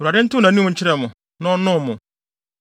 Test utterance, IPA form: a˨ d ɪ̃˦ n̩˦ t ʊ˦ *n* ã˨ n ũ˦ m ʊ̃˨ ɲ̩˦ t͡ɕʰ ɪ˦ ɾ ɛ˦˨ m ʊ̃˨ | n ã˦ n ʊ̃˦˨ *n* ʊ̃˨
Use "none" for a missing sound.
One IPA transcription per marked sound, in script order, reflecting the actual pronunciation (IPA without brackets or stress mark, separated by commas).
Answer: n, m